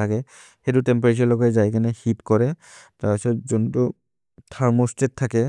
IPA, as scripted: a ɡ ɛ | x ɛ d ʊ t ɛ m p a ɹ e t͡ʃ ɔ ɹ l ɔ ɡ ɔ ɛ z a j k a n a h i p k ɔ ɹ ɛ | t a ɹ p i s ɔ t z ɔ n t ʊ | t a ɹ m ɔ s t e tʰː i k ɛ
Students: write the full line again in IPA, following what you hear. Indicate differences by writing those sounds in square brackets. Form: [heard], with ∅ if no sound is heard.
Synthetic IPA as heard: a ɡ ɛ | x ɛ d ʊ t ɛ m p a ɹ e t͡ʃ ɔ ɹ l ɔ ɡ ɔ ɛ z a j k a n [ɛ] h i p k ɔ ɹ ɛ | t a ɹ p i s ɔ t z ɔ n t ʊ | [tʰ] a ɹ m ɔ s t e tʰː [a] k ɛ